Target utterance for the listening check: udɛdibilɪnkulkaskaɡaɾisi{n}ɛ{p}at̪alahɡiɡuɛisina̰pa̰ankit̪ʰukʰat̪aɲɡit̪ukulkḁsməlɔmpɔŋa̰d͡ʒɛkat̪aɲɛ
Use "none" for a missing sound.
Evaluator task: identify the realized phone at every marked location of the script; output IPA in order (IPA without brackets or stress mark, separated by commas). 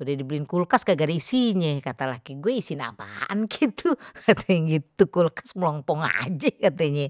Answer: ɲ, k